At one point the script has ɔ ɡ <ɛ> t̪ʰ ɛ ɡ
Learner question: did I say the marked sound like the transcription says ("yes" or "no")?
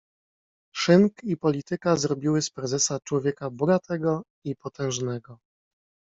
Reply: no